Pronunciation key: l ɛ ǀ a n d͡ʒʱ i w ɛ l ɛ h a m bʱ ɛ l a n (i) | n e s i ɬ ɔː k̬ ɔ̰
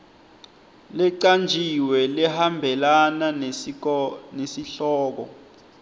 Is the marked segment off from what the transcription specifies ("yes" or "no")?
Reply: yes